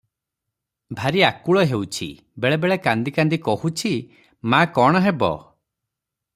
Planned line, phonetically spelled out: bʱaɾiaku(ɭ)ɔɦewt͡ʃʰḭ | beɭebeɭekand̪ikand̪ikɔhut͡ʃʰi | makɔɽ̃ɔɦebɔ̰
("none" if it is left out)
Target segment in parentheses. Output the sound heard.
ɭ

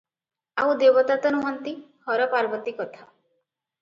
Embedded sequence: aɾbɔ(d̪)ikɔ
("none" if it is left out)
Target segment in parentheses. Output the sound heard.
t̪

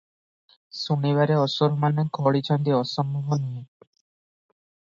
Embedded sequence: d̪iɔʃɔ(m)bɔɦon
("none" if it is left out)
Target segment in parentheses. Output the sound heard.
m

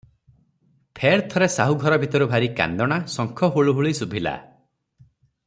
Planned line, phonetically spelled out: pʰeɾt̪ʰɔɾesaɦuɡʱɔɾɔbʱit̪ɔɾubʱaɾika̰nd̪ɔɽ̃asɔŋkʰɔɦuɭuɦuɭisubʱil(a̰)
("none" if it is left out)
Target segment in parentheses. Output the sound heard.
a̰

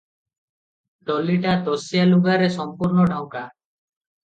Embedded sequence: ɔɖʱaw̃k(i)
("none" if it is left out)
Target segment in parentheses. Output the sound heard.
a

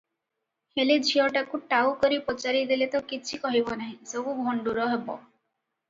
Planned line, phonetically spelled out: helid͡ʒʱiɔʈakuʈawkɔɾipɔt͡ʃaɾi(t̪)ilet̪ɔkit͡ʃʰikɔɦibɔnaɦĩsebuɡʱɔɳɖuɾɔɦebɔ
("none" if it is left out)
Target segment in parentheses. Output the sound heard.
d̪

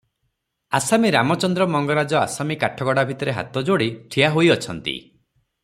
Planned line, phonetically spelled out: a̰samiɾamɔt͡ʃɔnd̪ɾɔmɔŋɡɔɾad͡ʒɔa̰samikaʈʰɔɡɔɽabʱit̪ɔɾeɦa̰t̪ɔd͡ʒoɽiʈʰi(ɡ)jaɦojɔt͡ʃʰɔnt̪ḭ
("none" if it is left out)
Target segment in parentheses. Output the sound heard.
none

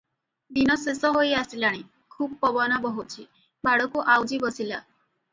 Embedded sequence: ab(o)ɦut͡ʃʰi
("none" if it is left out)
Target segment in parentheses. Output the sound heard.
ɔ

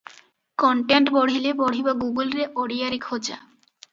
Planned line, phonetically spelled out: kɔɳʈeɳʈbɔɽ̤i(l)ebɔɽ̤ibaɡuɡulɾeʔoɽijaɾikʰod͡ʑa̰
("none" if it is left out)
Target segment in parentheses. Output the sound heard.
l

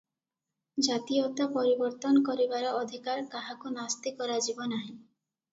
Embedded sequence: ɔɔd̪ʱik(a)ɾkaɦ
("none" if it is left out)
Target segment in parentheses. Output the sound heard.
a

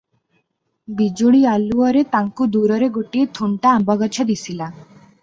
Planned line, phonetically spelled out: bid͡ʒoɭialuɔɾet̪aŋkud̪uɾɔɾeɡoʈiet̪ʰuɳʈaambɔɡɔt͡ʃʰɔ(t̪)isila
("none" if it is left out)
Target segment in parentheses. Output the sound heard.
d̪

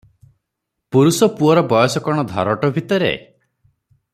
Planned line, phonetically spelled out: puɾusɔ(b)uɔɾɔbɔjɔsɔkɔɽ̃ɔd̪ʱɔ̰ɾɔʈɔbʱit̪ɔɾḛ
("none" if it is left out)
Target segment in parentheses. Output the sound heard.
p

